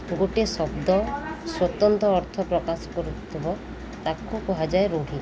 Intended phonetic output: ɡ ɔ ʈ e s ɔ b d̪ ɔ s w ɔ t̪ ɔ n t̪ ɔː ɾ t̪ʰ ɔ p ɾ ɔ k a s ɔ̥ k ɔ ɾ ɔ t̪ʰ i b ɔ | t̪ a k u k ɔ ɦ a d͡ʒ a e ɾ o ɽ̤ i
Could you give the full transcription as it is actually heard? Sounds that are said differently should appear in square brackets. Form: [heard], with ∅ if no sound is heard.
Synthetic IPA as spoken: ɡ [o] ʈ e s ɔ b d̪ ɔ s w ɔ t̪ ɔ n t̪ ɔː ɾ t̪ʰ ɔ p ɾ ɔ k a s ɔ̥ k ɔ ɾ [u] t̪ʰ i b ɔ | t̪ a k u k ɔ ɦ a d͡ʒ a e ɾ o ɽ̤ i